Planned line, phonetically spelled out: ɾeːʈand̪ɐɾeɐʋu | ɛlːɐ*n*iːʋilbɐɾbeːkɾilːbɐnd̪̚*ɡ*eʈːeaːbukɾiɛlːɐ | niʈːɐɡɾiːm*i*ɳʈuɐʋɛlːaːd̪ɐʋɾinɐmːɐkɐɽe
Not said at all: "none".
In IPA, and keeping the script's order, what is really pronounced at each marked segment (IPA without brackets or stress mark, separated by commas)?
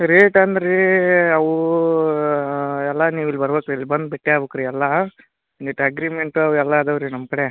n, b, e